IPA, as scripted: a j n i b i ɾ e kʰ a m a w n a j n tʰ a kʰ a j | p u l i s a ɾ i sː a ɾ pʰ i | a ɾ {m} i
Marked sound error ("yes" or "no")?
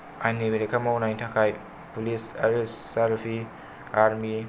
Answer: no